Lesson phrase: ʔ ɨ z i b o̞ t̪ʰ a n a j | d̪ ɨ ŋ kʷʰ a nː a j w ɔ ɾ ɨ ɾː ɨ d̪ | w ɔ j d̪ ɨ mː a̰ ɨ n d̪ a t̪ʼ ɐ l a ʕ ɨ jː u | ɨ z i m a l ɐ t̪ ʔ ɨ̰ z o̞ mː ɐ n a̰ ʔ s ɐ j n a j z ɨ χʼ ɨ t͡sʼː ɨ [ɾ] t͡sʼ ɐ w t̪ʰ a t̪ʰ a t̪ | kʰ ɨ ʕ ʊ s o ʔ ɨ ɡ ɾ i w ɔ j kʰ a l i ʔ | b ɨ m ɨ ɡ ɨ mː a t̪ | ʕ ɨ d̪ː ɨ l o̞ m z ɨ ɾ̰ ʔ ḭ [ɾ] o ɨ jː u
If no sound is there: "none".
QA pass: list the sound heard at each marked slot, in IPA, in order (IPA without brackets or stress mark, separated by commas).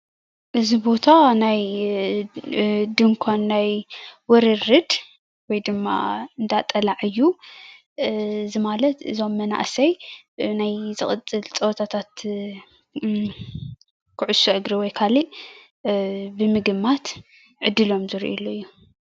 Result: l, l